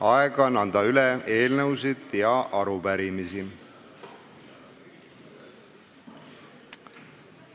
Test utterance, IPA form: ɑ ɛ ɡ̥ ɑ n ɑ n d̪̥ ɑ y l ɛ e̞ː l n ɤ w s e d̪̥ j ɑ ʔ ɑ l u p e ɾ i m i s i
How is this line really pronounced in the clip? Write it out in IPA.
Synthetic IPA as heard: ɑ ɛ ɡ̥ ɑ n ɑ n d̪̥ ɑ y l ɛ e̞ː l n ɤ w s i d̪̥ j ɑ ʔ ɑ ɾ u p æ ɾ i m i s i